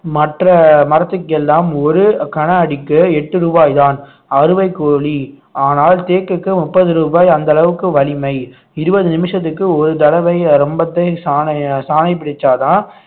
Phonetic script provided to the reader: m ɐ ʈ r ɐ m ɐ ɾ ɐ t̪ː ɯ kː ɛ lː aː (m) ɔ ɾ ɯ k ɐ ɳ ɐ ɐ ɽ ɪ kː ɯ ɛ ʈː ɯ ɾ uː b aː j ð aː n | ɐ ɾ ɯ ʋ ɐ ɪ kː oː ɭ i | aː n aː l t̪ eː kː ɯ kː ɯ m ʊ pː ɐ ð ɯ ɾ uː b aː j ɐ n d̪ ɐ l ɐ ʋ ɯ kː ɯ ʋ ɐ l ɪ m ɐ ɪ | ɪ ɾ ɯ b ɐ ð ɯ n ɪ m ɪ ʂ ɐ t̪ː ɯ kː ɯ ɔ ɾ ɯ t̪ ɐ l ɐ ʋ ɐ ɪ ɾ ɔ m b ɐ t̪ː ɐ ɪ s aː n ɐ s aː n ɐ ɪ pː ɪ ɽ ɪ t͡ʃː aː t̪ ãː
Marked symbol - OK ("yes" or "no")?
yes